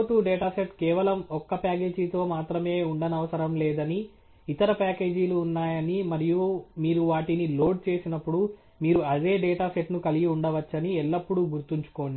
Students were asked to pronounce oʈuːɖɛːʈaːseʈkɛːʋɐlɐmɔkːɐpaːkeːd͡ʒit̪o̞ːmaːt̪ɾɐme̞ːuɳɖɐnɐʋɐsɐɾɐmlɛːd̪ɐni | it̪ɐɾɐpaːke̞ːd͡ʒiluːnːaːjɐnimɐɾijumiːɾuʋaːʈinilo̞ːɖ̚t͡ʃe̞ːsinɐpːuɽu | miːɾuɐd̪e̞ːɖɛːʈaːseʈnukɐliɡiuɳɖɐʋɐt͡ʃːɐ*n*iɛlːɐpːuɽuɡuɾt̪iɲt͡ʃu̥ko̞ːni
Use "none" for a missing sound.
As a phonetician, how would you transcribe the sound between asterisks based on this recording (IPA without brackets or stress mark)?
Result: n